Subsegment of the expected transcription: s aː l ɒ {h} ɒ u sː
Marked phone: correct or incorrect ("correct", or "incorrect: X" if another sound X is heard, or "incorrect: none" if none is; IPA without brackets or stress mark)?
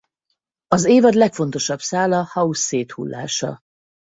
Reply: correct